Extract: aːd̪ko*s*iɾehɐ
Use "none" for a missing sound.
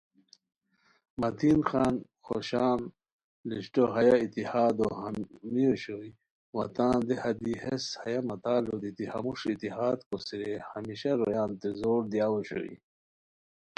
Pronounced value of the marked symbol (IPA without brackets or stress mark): s